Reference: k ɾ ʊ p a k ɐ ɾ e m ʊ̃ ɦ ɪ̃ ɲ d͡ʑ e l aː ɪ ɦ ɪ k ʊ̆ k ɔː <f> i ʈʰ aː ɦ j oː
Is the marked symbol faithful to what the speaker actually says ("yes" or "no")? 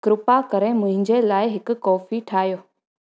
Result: yes